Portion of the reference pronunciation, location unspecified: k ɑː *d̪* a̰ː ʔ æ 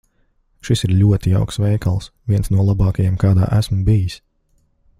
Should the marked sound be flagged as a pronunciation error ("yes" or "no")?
no